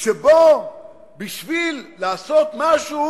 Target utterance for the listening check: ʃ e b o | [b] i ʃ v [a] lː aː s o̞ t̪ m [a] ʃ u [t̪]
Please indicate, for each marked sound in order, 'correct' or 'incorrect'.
correct, incorrect: i, correct, incorrect: none

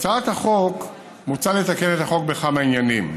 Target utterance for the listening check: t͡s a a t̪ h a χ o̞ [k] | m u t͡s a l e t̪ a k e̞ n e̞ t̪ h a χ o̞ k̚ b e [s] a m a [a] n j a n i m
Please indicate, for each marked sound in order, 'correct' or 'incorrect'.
correct, incorrect: χ, incorrect: i

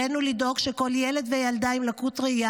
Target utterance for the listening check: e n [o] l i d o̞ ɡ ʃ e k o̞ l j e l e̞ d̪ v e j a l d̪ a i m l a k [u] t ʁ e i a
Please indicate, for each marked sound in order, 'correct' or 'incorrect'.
incorrect: u, correct

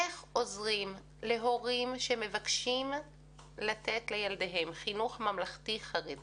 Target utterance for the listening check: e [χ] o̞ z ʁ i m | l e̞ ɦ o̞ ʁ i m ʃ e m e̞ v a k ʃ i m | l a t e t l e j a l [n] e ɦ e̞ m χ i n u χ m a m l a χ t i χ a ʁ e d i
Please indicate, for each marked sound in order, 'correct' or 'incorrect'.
correct, incorrect: d

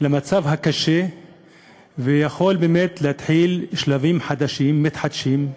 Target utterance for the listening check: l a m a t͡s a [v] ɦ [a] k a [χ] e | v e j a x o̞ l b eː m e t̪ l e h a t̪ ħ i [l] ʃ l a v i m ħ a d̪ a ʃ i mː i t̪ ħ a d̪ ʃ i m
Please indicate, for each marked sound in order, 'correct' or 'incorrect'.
correct, correct, incorrect: ʃ, correct

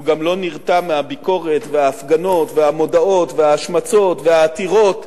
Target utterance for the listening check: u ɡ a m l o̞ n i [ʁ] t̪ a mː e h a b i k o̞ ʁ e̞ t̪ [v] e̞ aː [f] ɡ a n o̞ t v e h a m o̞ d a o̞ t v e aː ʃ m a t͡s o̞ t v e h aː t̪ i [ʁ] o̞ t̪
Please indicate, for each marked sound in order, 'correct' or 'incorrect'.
correct, correct, correct, correct

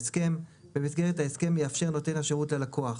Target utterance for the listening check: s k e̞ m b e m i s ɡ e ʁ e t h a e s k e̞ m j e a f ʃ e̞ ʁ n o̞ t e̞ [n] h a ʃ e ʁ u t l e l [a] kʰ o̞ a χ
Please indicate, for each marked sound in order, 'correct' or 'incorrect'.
correct, correct

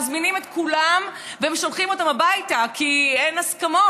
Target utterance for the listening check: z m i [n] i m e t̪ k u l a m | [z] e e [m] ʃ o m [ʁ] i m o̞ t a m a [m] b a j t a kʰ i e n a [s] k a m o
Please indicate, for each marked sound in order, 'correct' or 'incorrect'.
correct, incorrect: v, correct, incorrect: χ, incorrect: none, correct

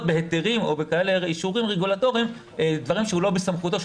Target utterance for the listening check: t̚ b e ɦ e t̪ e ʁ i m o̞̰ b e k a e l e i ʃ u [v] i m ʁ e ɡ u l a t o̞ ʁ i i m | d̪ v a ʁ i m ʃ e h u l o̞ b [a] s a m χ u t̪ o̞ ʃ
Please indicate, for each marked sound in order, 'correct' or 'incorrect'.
incorrect: ʁ, incorrect: e

